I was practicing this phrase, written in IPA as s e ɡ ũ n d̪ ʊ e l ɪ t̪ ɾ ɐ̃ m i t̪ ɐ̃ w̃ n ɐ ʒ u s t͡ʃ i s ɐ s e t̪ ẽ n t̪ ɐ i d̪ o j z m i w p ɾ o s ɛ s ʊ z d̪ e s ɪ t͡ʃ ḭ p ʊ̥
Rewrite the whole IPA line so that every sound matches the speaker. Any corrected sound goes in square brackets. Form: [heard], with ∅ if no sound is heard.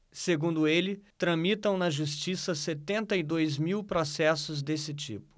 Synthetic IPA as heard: s e ɡ ũ n d̪ ʊ e l ɪ t̪ ɾ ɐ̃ m i t̪ ɐ̃ w̃ n ɐ ʒ u s t͡ʃ i s ɐ s e t̪ ẽ n t̪ ɐ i d̪ o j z m i w p ɾ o s ɛ s ʊ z d̪ e s ɪ t͡ʃ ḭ p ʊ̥